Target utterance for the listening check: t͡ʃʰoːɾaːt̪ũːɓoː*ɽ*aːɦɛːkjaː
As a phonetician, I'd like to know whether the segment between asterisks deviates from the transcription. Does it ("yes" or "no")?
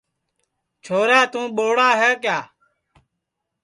no